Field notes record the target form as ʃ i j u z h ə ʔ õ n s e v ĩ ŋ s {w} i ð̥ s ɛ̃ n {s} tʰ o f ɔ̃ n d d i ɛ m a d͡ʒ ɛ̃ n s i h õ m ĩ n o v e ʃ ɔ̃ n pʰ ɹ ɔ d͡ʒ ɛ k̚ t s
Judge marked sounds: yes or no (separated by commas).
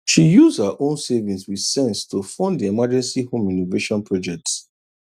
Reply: yes, yes